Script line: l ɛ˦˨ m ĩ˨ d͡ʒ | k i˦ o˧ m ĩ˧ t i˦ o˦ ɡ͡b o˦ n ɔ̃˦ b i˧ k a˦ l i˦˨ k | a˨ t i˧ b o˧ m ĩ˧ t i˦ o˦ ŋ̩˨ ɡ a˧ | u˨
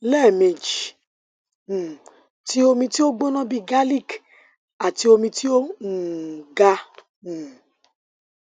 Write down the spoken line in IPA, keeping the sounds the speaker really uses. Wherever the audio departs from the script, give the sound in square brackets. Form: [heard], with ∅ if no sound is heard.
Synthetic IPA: l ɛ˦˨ m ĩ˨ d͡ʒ | [t] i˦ o˧ m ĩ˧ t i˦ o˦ ɡ͡b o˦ n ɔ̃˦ b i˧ [ɡ] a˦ l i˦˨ k | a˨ t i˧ [∅] o˧ m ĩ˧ t i˦ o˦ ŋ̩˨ ɡ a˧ | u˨